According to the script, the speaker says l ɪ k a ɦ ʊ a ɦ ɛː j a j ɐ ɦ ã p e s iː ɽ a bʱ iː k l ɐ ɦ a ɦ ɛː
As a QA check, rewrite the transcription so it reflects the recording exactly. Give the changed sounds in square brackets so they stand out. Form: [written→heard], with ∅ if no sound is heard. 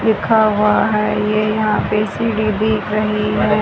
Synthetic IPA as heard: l ɪ [k→kʰ] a ɦ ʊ a ɦ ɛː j [a→e] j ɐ ɦ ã p e s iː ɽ [a→i] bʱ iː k [l→ɾ] ɐ ɦ [a→i] ɦ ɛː